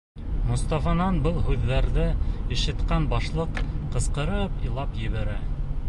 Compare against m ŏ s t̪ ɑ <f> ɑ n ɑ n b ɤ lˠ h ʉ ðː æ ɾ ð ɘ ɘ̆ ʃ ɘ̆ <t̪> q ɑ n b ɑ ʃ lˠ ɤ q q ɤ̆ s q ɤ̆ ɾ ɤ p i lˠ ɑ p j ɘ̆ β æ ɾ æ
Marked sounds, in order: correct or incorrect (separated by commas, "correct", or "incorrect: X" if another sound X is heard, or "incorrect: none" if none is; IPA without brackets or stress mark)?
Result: correct, correct